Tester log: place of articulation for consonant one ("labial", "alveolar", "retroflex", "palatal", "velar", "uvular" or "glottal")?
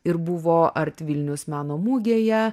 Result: alveolar